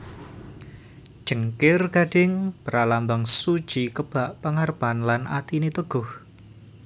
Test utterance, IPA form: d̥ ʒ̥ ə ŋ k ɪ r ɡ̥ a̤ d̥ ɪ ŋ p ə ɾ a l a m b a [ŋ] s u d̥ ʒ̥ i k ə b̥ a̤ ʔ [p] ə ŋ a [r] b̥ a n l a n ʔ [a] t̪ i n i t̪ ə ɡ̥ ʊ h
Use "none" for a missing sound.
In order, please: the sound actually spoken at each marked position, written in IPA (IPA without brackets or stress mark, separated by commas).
ŋ, p, r, a